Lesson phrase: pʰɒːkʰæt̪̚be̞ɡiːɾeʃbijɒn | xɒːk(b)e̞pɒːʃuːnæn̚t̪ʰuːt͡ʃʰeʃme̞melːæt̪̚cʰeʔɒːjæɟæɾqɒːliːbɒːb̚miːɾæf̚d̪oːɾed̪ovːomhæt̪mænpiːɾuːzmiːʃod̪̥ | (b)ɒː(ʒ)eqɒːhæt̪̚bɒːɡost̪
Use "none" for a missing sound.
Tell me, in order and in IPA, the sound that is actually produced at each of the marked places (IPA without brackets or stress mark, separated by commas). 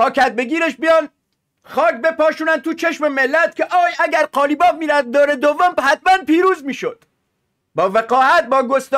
b, b, v